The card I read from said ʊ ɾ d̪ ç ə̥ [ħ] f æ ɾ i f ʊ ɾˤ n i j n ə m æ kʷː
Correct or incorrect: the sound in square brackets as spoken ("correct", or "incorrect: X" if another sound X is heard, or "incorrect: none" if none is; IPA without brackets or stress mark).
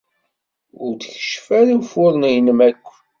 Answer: incorrect: ʃ